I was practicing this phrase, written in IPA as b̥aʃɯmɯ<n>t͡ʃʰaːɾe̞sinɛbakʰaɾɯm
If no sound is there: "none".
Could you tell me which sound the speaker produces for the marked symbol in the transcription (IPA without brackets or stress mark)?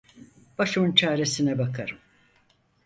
n